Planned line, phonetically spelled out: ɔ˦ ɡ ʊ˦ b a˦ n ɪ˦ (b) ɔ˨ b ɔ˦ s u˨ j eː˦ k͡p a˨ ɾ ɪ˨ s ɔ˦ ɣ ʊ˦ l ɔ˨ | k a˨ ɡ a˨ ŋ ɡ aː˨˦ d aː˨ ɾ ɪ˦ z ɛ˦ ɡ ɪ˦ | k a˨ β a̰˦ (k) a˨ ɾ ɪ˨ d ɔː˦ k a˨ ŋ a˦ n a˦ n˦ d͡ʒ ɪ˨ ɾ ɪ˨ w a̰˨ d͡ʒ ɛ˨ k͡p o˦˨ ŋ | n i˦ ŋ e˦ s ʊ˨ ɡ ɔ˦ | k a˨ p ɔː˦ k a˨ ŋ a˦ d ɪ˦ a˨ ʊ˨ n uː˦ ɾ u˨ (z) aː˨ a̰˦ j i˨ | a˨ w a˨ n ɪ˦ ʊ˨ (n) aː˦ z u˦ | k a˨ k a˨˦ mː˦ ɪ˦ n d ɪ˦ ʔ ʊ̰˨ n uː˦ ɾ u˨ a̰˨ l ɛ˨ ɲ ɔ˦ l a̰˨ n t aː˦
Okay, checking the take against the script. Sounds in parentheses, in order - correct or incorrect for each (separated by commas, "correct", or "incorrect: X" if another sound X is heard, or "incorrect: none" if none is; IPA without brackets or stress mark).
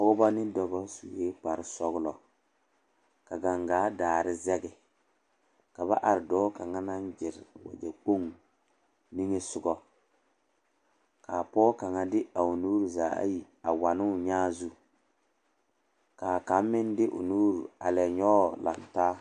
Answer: incorrect: d, incorrect: ʔ, correct, incorrect: ɲ